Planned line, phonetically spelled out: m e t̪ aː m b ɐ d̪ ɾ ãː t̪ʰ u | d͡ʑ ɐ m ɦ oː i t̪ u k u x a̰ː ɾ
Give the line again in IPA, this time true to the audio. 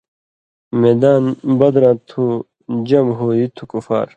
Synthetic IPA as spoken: m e d̪ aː n b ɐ d̪ ɾ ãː t̪ʰ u | d͡ʑ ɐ m ɦ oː i t̪ʰ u k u f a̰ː ɾ